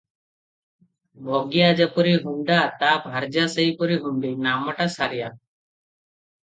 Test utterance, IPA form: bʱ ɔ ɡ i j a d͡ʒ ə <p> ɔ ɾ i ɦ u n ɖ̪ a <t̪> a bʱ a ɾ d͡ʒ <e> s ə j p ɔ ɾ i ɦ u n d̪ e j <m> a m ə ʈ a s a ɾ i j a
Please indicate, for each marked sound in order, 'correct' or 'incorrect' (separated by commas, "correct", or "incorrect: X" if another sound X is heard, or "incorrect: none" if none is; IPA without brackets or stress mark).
correct, correct, incorrect: a, incorrect: n